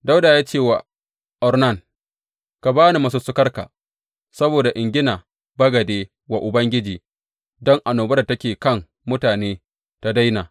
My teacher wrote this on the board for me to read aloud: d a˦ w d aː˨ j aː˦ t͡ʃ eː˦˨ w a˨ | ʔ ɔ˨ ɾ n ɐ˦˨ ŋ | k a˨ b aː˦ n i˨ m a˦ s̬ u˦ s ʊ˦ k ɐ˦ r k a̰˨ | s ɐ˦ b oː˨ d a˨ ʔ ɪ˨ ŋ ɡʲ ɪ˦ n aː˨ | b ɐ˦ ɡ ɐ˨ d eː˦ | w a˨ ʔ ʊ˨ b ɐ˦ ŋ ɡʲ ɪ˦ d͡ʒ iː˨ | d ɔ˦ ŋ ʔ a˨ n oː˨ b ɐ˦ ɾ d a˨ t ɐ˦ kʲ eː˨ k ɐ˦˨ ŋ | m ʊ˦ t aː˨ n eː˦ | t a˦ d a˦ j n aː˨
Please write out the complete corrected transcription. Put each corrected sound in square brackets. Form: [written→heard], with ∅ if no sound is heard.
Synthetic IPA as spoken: d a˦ w d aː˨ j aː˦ t͡ʃ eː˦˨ w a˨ | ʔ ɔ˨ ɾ n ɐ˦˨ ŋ | k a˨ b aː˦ n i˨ m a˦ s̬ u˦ s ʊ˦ k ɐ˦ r k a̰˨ | s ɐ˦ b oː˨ d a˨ ʔ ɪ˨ ŋ ɡʲ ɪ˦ n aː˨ | b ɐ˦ ɡ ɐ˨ d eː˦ | w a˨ ʔ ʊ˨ b ɐ˦ ŋ ɡʲ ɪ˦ d͡ʒ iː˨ | d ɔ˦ ŋ ʔ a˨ n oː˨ b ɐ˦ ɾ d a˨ t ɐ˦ kʲ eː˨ k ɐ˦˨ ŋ | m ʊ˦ t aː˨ n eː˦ | t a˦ d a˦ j n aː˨